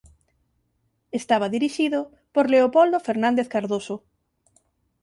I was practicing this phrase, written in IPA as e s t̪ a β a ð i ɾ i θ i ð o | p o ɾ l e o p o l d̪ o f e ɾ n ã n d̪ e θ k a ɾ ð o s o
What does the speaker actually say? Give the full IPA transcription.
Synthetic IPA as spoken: e s t̪ a β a ð i ɾ i ʃ i ð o | p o ɾ l e o p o l d̪ o f e ɾ n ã n d̪ e θ k a ɾ ð o s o